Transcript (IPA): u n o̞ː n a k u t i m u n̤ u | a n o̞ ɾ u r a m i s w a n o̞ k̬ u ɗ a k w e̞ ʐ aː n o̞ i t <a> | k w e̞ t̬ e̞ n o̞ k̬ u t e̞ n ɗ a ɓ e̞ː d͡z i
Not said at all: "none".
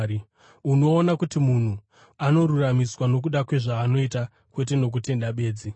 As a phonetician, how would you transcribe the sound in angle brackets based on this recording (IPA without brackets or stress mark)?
a